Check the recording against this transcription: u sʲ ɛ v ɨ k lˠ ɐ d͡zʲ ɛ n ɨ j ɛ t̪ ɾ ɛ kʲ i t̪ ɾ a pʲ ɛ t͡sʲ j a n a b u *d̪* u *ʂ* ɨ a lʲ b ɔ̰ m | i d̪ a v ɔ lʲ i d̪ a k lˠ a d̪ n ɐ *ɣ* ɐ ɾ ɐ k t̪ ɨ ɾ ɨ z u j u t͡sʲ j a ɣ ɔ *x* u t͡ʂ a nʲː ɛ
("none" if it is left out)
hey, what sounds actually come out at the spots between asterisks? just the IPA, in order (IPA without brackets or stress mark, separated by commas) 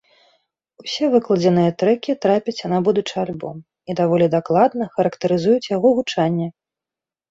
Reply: d̪, t͡ʂ, x, ɣ